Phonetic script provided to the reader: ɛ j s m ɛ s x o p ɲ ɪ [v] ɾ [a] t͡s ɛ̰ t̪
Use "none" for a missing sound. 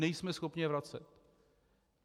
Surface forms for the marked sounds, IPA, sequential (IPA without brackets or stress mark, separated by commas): v, a